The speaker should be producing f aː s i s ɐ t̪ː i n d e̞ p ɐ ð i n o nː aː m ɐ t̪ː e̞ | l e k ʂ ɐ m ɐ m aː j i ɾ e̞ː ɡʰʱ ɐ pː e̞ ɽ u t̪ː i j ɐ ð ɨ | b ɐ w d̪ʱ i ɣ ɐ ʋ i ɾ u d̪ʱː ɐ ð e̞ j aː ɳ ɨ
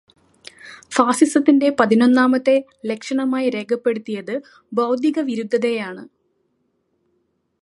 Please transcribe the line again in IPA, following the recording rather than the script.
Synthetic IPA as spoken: f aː s i s ɐ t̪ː i n d e̞ p ɐ ð i n o nː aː m ɐ t̪ː e̞ | l e k ʂ ɐ ɳ ɐ m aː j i ɾ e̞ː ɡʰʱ ɐ pː e̞ ɽ u t̪ː i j ɐ ð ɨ | b ɐ w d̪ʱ i ɣ ɐ ʋ i ɾ u d̪ʱː ɐ ð e̞ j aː ɳ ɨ